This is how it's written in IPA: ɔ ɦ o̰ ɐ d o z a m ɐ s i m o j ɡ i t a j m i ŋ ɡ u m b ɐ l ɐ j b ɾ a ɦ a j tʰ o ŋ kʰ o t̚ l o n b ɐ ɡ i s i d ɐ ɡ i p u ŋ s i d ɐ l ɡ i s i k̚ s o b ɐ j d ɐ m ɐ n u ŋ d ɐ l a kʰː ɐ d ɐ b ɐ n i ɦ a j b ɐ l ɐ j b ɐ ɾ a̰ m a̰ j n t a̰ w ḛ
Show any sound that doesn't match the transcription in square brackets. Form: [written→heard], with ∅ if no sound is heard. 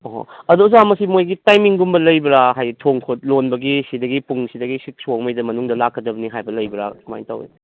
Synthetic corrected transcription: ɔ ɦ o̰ ɐ d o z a m ɐ s i m o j ɡ i t a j m i ŋ ɡ u m b ɐ l ɐ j b ɾ a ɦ a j tʰ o ŋ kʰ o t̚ l o n b ɐ ɡ i s i d ɐ ɡ i p u ŋ s i d ɐ [l→∅] ɡ i s i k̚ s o [b→m] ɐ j d ɐ m ɐ n u ŋ d ɐ l a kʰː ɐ d ɐ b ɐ n i ɦ a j b ɐ l ɐ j b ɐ ɾ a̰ m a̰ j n t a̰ w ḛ